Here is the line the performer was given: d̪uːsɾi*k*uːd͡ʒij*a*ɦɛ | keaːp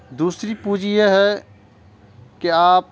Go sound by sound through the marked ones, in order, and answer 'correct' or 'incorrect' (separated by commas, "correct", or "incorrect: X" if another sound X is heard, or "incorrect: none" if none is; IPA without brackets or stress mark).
incorrect: p, incorrect: e